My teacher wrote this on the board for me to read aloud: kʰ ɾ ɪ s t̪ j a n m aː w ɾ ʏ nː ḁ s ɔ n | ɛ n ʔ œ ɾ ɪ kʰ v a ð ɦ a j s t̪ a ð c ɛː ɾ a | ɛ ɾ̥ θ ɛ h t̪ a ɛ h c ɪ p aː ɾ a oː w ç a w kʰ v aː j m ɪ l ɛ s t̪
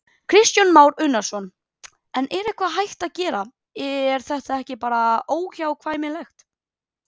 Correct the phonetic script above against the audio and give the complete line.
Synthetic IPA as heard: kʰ ɾ ɪ s t̪ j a n m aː w ɾ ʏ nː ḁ s ɔ n | ɛ n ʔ ɛ ɾ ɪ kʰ v a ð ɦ a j h t̪ a ð c ɛː ɾ a | ɛ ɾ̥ θ ɛ h t̪ a ɛ h c ɪ p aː ɾ a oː w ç a w kʰ v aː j m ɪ l ɛ x t̪